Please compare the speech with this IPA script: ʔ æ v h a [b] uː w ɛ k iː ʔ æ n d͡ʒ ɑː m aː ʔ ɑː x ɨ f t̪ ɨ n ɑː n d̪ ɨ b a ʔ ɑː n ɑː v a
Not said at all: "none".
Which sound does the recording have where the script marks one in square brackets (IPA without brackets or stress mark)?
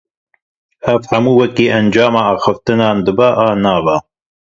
m